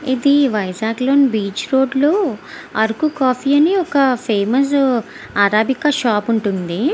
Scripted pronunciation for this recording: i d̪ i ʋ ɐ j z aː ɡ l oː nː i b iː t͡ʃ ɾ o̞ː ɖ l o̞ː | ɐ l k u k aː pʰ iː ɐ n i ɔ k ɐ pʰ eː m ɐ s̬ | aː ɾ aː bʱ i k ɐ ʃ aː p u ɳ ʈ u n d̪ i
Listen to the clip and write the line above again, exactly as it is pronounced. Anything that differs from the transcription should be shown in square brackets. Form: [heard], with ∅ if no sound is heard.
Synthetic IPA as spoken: i d̪ i ʋ ɐ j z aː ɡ l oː [n] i b iː t͡ʃ ɾ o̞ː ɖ l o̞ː | ɐ [ɾ] k u k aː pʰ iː ɐ n i ɔ k ɐ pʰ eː m ɐ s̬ | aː ɾ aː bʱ i k ɐ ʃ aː p u ɳ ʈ u n d̪ i

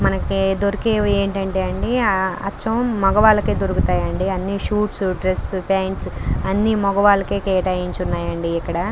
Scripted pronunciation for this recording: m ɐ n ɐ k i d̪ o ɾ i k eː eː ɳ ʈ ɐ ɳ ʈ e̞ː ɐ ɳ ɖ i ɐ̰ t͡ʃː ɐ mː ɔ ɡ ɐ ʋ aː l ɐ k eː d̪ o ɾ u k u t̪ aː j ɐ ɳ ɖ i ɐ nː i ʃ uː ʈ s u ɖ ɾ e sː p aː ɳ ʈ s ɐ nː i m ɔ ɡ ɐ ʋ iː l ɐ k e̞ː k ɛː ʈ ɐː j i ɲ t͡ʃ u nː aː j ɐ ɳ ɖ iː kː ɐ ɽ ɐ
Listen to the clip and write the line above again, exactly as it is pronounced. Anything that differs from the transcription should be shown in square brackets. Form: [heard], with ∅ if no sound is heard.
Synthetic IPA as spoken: m ɐ n ɐ k i d̪ o ɾ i k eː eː ɳ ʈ ɐ ɳ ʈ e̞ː ɐ ɳ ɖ i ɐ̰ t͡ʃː ɐ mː ɔ ɡ ɐ ʋ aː l ɐ k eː d̪ o ɾ u k u t̪ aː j ɐ ɳ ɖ i ɐ nː i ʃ uː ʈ s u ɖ ɾ e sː p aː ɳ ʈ s ɐ nː i m ɔ ɡ ɐ ʋ [aː] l ɐ k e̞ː k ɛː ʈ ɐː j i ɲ t͡ʃ u nː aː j ɐ ɳ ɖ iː kː ɐ ɽ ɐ

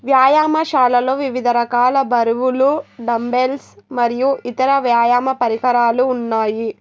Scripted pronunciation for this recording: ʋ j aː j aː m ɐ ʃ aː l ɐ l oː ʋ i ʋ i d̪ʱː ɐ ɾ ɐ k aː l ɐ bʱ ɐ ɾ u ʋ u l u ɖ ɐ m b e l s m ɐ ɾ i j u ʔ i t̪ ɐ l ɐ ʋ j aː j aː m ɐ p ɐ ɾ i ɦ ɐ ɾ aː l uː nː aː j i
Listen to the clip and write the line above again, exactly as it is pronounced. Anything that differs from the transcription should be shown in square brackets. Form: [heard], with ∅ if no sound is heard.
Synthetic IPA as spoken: ʋ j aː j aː m ɐ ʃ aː l ɐ l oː ʋ i ʋ i [d̪ʱ] ɐ ɾ ɐ k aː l ɐ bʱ ɐ ɾ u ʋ u l u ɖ ɐ m b e l s m ɐ ɾ i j u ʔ i t̪ ɐ [ɾ] ɐ ʋ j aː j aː m ɐ p ɐ ɾ i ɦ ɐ ɾ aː l uː nː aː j i

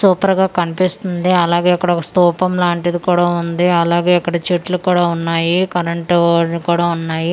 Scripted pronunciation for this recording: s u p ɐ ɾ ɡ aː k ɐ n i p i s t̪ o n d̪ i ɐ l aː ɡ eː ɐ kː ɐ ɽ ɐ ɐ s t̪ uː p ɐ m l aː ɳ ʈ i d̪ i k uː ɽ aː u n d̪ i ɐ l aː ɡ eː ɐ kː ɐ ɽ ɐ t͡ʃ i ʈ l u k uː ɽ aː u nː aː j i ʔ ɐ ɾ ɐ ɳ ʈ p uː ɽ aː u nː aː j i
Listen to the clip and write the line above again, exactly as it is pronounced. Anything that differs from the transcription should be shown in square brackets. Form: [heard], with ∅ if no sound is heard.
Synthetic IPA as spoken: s [uː] p ɐ ɾ ɡ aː k ɐ n i p i s t̪ [u] n d̪ i ɐ l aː ɡ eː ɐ kː ɐ ɽ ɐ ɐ s t̪ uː p ɐ m l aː ɳ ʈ i d̪ i k uː ɽ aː u n d̪ i ɐ l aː ɡ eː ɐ kː ɐ ɽ ɐ t͡ʃ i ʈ l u k uː ɽ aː u nː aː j i [k] ɐ ɾ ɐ ɳ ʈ [k] uː ɽ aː u nː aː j i

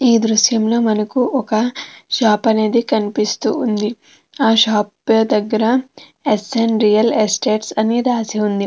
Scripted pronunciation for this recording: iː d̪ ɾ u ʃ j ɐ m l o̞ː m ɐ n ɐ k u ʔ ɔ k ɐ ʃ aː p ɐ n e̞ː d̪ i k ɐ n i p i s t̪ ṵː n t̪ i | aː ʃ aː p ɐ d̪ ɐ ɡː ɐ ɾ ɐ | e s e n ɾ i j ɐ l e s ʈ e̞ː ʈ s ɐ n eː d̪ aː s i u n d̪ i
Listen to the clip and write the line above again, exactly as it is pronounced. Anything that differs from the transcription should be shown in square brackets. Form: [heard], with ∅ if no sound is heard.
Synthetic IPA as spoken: iː d̪ ɾ u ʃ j ɐ m l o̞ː m ɐ n ɐ k u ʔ ɔ k ɐ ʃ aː p ɐ n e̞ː d̪ i k ɐ n i p i s t̪ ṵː n [d̪] i | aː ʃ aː p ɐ d̪ ɐ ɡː ɐ ɾ ɐ | e s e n ɾ i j ɐ l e s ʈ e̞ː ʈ s ɐ n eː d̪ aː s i u n d̪ i

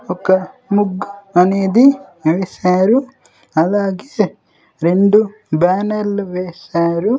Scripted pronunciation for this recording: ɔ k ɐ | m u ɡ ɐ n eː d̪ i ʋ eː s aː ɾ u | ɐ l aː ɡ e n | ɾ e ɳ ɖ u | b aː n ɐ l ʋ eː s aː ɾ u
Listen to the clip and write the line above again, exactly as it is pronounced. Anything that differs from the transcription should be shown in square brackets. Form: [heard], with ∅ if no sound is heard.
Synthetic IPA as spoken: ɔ k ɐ | m u ɡ ɐ n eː d̪ i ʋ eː s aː ɾ u | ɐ l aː ɡ e [∅] | ɾ e ɳ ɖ u | b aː n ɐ l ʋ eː s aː ɾ u

